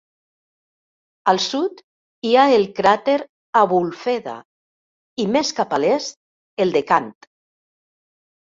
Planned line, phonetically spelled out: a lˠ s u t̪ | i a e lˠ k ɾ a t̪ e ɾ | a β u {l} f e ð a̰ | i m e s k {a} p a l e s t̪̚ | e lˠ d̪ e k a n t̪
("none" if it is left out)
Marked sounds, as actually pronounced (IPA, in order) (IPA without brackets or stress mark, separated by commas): l, a